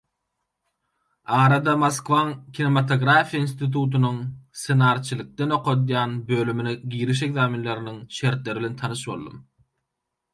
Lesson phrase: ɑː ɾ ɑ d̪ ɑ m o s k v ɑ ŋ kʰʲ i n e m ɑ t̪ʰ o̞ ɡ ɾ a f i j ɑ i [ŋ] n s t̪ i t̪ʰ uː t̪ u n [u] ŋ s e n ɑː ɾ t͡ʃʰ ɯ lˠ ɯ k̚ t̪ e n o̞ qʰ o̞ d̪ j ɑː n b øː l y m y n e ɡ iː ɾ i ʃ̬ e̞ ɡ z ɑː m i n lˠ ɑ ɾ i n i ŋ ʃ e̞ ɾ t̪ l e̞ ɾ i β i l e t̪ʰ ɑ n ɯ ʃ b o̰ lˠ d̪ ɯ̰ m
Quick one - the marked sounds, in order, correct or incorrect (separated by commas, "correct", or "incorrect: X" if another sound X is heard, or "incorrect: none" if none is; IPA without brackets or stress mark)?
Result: incorrect: none, correct